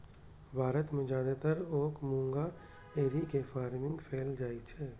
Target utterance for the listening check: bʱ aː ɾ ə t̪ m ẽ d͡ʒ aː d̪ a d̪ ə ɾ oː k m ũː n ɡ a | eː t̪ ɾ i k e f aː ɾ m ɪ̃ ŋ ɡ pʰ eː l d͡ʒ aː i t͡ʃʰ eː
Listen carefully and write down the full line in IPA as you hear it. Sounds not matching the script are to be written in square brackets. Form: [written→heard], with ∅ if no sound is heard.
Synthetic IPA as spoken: bʱ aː ɾ ə t̪ m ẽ d͡ʒ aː d̪ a [d̪→t̪] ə ɾ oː k m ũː [n→ŋ] ɡ a | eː [t̪→∅] ɾ i k e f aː ɾ m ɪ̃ ŋ ɡ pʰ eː l d͡ʒ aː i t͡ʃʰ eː